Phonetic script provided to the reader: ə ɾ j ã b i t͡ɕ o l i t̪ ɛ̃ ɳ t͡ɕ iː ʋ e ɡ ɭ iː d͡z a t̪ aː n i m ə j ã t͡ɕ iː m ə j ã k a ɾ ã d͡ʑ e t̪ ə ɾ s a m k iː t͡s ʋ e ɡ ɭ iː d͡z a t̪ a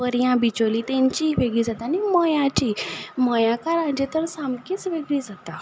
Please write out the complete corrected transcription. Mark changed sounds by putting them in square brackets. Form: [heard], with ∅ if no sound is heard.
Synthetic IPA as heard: ə ɾ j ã b i t͡ɕ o l i t̪ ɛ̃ [ɲ] t͡ɕ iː ʋ e ɡ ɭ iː d͡z a t̪ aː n i m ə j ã t͡ɕ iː m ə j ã k a ɾ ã d͡ʑ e t̪ ə ɾ s a m k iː t͡s ʋ e ɡ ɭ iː d͡z a t̪ a